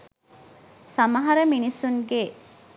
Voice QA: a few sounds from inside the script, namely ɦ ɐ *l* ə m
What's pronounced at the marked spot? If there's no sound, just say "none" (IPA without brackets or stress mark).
ɾ